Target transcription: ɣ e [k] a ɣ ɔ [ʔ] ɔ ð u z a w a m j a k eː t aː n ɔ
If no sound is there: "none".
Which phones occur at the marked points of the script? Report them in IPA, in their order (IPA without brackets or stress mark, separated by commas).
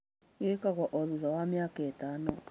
k, ʔ